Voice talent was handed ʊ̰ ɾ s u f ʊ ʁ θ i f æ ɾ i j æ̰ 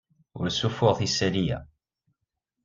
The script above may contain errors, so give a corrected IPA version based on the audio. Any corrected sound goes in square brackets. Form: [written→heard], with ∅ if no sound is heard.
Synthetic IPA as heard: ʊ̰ ɾ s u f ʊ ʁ θ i [f→s] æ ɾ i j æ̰